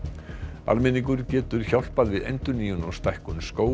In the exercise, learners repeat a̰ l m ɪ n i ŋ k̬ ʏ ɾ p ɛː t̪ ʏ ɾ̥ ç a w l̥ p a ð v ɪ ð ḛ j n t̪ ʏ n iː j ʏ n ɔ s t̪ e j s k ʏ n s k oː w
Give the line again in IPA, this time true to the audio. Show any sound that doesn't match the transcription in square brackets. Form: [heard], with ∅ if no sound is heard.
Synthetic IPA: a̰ l m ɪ n i ŋ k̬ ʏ ɾ [c] ɛː t̪ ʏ ɾ̥ ç a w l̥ p a ð v ɪ ð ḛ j n t̪ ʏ n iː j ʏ n ɔ s t̪ [a] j [h] k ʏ n s k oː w